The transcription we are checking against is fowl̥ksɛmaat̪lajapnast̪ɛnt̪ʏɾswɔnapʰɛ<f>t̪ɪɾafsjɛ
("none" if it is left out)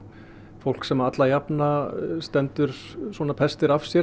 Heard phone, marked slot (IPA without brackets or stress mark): s